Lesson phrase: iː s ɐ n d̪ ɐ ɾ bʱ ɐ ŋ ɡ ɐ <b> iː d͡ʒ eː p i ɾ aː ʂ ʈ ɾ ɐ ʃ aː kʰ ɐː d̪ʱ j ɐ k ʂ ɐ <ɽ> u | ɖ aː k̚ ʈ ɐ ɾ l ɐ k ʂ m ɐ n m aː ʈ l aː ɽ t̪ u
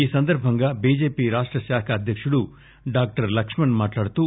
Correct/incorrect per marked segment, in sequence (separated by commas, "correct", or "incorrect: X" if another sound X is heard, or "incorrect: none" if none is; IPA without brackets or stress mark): correct, correct